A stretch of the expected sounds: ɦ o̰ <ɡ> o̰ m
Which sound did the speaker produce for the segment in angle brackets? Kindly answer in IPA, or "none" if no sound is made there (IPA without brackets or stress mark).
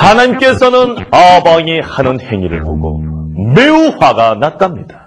ɡ